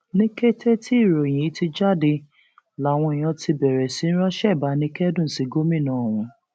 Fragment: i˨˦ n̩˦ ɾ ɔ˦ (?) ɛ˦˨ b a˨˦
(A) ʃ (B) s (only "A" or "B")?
A